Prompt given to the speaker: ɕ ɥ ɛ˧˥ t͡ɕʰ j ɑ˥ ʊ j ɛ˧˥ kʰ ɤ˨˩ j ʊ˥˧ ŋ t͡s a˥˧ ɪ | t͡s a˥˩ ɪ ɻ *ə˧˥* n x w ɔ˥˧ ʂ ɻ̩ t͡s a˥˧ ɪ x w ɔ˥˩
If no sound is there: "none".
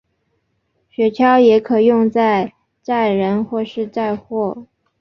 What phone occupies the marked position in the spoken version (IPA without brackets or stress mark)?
ə˧˥